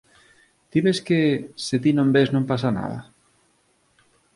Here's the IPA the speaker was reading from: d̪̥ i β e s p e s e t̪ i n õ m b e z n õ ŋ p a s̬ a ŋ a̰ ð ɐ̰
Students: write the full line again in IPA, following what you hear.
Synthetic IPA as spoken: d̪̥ i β e s k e s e t̪ i n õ m b e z n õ m p a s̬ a n a̰ ð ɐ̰